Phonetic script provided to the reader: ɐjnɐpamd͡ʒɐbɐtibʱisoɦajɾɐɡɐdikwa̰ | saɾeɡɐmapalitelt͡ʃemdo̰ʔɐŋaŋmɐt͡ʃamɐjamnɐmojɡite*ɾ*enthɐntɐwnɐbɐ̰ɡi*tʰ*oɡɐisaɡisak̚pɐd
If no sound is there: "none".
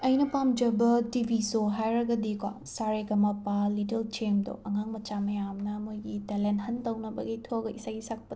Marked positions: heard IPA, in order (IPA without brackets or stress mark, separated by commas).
l, tʰ